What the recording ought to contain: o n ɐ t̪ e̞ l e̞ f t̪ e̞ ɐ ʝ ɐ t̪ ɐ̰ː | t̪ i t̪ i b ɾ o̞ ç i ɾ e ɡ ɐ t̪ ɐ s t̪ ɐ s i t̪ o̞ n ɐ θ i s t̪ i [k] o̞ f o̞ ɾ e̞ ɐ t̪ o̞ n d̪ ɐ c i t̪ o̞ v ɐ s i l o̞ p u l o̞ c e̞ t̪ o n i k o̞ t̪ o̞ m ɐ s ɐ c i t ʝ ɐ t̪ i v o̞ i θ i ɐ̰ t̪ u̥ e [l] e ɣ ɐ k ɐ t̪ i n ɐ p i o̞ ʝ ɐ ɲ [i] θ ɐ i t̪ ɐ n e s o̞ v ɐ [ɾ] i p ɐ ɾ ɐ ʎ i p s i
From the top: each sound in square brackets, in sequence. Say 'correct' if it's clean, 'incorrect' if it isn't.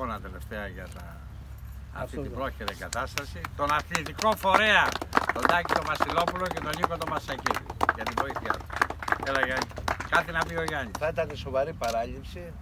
correct, correct, correct, correct

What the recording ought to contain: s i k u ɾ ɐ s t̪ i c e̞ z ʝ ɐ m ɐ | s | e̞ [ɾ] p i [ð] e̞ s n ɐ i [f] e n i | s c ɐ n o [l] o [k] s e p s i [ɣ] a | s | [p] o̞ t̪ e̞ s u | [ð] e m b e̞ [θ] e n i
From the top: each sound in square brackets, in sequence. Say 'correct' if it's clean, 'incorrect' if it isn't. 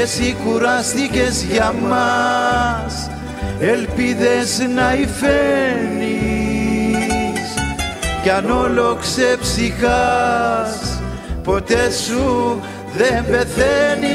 incorrect: l, correct, correct, correct, correct, incorrect: x, correct, correct, correct

